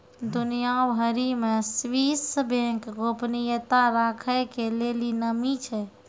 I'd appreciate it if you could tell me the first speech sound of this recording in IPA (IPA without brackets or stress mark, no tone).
d̪